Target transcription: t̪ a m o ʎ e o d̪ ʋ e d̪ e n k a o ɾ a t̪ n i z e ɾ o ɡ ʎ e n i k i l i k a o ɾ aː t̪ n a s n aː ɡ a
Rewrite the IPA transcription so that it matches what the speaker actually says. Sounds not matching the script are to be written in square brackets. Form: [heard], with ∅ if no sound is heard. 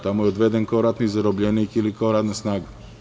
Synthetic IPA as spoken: t̪ a m o [j] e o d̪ ʋ e d̪ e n k a o ɾ a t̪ n i z [a] ɾ o [b] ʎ e n i k i l i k a o ɾ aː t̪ n a s n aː ɡ a